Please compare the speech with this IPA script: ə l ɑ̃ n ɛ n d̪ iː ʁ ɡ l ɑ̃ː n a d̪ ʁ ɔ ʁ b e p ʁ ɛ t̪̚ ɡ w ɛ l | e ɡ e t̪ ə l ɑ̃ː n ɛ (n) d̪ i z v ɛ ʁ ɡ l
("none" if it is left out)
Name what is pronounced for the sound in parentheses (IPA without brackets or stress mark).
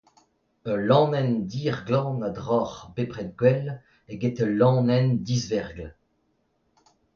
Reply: n